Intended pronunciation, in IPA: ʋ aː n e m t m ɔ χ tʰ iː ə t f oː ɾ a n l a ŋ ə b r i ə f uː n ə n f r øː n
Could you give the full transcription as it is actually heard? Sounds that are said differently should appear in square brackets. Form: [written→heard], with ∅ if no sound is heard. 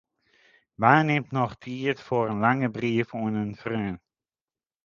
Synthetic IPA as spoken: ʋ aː n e m t [m→n] ɔ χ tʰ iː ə t f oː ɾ [a→ə] n l a ŋ ə b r i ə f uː n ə n f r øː n